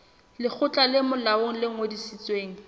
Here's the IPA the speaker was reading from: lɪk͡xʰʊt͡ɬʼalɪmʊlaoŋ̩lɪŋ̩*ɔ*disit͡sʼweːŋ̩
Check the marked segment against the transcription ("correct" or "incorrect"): incorrect